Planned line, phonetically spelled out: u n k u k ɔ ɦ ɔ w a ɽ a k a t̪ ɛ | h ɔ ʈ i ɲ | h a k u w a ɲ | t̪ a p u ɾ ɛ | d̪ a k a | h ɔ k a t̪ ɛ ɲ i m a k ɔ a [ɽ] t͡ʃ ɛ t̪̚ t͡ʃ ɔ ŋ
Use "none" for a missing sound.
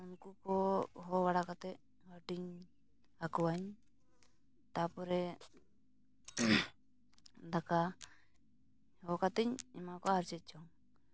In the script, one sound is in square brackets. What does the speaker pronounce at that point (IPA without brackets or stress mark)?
ɾ